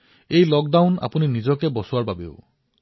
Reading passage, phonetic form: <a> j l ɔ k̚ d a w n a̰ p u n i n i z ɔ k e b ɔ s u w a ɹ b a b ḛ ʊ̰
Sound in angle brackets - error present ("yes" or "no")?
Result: yes